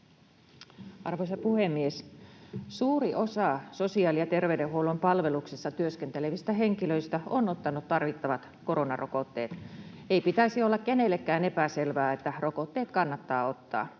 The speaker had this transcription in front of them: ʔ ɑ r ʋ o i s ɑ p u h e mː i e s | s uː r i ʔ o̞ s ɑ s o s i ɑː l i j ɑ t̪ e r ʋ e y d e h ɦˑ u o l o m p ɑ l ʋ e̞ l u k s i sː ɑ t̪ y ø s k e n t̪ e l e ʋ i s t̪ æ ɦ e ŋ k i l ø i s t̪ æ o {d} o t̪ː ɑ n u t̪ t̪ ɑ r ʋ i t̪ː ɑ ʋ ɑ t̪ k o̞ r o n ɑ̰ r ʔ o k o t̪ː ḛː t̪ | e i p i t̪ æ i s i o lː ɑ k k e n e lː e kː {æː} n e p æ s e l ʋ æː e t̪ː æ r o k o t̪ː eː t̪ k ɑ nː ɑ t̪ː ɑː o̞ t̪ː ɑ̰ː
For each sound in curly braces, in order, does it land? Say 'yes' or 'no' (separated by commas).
no, yes